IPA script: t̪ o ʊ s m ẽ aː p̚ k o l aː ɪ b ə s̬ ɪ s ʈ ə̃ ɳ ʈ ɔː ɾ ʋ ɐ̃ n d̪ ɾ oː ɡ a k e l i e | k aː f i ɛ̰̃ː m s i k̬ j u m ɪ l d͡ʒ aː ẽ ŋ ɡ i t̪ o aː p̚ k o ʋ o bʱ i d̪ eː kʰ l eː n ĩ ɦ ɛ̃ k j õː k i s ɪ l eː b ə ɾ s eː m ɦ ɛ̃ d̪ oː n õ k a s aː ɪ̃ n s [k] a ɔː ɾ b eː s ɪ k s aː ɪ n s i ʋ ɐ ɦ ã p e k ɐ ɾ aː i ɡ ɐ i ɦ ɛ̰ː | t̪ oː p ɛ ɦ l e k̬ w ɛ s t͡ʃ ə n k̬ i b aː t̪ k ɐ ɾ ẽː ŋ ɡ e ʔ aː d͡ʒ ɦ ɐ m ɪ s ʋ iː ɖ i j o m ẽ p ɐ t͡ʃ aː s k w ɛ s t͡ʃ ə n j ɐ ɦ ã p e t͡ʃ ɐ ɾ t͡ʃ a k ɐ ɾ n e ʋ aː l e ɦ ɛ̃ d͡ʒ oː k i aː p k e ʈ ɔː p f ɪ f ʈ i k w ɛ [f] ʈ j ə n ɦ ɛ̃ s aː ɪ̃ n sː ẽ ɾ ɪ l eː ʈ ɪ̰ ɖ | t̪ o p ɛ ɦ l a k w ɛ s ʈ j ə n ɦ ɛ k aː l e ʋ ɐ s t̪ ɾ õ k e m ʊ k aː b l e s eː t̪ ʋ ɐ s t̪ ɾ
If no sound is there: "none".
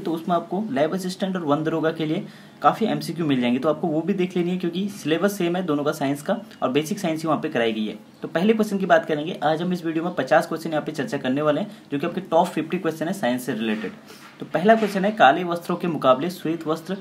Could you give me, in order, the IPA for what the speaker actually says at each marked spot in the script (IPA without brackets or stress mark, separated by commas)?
k, s